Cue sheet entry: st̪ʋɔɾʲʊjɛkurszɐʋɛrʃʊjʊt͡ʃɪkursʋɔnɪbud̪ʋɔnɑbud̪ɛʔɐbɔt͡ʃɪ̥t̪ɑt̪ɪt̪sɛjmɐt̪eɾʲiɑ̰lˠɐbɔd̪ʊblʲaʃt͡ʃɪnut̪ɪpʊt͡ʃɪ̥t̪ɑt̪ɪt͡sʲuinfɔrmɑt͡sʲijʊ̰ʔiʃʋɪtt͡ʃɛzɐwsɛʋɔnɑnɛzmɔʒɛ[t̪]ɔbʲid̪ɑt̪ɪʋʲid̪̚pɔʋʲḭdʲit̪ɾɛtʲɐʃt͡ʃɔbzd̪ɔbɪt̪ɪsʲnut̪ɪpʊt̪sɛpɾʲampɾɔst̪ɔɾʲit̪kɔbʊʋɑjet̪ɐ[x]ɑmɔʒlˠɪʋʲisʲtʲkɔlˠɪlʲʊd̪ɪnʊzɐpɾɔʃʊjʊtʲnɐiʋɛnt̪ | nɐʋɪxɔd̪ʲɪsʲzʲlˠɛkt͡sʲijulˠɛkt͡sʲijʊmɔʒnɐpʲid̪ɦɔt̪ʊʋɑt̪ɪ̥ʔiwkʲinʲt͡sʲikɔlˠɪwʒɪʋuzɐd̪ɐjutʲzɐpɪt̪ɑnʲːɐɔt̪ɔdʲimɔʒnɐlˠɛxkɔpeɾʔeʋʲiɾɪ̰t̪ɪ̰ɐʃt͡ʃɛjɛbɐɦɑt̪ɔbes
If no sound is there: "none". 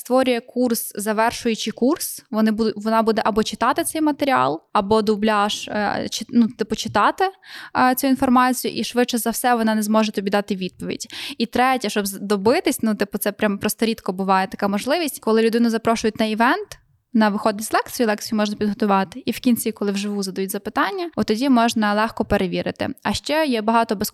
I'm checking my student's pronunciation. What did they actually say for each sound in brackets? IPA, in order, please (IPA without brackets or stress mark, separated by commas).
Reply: t̪, k